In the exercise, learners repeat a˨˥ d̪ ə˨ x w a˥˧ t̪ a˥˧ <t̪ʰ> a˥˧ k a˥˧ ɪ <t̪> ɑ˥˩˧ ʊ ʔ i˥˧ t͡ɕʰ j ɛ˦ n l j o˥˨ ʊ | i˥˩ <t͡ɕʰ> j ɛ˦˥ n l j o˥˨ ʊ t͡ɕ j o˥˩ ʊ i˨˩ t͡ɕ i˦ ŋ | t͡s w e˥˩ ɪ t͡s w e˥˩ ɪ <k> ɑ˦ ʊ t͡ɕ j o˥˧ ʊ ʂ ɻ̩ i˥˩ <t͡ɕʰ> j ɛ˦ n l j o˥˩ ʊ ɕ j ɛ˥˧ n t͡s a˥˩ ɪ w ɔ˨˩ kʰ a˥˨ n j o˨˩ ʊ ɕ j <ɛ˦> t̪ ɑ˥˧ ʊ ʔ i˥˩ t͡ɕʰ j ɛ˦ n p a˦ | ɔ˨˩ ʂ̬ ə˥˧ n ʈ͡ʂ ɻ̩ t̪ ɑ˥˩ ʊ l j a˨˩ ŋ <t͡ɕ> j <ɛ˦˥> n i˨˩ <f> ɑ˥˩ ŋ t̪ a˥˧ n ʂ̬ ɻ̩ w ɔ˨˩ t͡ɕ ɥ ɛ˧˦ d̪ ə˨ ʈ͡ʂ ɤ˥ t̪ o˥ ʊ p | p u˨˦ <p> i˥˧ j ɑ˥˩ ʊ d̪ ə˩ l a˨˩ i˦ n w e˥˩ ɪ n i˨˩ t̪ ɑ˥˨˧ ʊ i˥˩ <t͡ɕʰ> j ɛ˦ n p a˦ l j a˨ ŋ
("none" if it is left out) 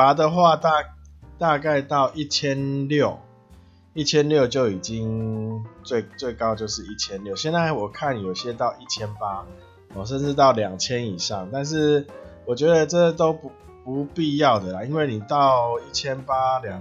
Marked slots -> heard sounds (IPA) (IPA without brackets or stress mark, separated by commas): t̪, t̪, t͡ɕʰ, k, t͡ɕʰ, ɛ˦, t͡ɕʰ, ɛ˦˥, ʂ, p, t͡ɕʰ